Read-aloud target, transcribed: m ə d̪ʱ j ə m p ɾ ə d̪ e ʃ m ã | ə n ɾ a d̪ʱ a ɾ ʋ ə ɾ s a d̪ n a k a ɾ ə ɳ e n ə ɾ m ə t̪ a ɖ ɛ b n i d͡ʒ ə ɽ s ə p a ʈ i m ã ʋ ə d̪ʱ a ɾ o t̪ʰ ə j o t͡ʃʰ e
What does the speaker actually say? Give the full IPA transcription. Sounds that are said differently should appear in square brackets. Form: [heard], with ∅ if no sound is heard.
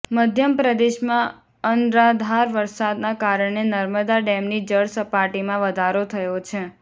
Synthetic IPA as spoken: m ə d̪ʱ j ə m p ɾ ə d̪ e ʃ m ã | ə n ɾ a d̪ʱ a ɾ ʋ ə ɾ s a d̪ n a k a ɾ ə ɳ e n ə ɾ m ə [d̪] a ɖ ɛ [m] n i d͡ʒ ə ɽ s ə p a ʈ i m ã ʋ ə d̪ʱ a ɾ o t̪ʰ ə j o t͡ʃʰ e